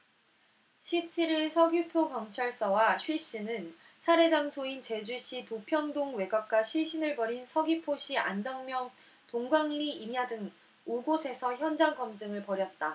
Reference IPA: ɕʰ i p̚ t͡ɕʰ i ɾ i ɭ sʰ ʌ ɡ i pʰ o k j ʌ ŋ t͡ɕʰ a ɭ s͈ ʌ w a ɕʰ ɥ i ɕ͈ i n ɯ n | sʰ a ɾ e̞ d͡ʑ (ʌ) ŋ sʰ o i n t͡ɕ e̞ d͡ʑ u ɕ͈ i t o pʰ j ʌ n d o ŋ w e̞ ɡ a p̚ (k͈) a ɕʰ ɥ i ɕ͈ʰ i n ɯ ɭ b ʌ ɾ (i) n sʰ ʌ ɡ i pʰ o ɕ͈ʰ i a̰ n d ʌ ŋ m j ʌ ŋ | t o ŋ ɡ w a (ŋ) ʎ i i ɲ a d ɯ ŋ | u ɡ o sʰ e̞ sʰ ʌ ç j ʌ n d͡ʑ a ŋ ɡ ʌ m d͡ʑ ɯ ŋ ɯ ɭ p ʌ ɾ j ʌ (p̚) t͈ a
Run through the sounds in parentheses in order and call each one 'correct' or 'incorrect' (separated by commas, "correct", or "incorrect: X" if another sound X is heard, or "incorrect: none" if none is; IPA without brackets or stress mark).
incorrect: a, correct, correct, correct, incorrect: t̚